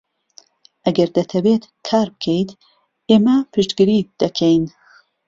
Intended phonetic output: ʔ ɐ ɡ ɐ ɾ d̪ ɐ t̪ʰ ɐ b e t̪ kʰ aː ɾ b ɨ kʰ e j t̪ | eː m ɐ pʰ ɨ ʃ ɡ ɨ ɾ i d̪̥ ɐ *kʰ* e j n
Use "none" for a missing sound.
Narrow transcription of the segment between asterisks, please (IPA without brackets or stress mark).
kʰ